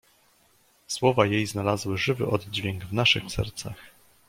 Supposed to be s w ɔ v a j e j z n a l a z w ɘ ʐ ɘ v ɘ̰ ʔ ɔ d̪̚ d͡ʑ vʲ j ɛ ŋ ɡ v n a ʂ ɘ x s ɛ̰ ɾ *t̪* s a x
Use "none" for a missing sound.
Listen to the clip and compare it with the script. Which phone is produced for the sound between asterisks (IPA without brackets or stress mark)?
t̪